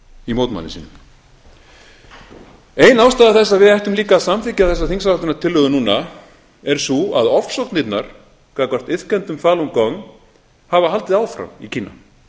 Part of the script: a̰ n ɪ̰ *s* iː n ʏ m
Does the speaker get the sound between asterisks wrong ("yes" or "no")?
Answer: no